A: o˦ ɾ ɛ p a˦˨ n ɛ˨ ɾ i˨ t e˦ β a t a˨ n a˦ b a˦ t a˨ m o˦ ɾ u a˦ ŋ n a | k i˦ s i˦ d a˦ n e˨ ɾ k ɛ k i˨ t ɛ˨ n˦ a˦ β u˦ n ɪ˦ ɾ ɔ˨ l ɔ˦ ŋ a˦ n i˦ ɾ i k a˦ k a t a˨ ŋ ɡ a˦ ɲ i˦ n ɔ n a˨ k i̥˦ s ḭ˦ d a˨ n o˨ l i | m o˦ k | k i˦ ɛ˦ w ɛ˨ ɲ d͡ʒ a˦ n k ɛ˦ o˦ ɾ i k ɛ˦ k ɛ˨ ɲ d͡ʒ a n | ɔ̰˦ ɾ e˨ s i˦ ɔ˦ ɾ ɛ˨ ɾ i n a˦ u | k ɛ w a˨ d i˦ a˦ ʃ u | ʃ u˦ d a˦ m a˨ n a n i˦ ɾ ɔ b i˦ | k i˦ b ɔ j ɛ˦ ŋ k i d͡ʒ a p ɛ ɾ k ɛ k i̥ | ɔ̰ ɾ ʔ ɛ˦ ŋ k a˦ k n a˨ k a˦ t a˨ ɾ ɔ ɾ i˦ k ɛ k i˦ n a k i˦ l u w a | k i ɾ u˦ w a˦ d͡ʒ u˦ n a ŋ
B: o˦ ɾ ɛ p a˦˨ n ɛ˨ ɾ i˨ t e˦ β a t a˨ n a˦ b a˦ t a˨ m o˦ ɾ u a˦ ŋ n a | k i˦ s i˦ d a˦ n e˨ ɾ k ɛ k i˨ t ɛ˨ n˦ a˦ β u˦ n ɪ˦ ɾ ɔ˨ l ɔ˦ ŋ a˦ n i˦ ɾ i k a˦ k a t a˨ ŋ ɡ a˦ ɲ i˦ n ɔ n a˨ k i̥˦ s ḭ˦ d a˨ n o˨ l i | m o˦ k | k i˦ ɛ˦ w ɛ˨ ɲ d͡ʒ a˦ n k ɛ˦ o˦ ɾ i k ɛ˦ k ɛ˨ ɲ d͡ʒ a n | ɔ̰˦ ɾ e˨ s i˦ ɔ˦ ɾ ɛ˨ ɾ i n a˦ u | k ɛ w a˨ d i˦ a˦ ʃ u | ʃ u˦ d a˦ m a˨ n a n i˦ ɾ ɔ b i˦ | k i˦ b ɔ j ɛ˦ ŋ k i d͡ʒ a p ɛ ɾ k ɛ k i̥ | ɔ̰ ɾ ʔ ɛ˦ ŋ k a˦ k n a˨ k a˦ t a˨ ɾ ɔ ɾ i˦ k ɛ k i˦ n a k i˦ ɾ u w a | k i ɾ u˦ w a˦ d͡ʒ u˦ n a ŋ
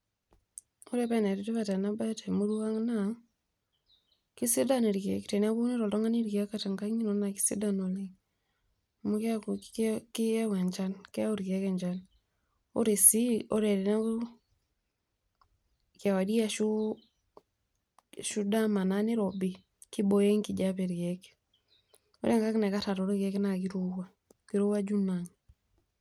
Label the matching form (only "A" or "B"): B